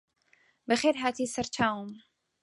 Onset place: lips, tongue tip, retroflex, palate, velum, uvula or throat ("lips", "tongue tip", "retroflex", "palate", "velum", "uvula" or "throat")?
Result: lips